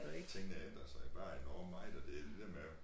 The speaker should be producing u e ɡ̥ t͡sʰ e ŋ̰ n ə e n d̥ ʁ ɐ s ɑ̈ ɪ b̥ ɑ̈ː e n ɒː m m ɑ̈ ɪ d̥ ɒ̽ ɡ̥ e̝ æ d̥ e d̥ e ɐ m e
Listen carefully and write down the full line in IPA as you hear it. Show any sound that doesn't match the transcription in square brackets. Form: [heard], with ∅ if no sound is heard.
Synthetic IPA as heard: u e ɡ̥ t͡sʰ e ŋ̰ n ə e n d̥ ʁ ɐ s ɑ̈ ɪ b̥ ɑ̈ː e n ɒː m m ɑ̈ ɪ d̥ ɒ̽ [d̥] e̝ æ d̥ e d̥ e ɐ m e